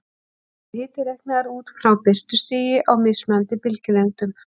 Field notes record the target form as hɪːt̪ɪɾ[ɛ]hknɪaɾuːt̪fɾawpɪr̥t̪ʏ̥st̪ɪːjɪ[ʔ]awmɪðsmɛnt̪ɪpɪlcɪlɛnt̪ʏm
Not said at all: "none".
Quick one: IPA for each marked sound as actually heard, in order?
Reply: ɛ, ʔ

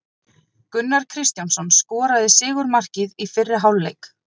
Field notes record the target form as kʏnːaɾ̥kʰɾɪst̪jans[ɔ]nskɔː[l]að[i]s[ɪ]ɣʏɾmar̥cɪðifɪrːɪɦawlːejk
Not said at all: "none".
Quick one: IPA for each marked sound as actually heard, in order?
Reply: ɔ, ɾ, ɪ, ɪː

